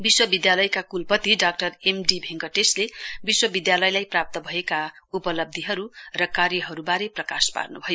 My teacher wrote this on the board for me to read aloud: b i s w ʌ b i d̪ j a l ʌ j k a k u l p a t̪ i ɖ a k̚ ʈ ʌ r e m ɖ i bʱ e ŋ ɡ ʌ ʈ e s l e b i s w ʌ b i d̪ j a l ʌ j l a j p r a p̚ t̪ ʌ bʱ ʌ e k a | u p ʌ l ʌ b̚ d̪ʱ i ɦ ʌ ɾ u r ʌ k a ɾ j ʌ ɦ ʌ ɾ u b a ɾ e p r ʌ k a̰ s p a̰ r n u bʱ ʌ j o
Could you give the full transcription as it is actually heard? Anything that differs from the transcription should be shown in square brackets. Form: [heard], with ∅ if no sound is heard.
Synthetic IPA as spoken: b i s w ʌ b i d̪ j a l ʌ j k a k u l p [ʌ] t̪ i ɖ a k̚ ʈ ʌ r e m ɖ i bʱ e ŋ ɡ ʌ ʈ e s l e b i s w ʌ b i d̪ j a l ʌ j l a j p r a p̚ t̪ ʌ bʱ ʌ e k a | u p ʌ l ʌ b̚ d̪ʱ i ɦ ʌ ɾ u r ʌ k a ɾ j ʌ ɦ ʌ ɾ u b a ɾ e p r ʌ k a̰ s p a̰ r n u bʱ ʌ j o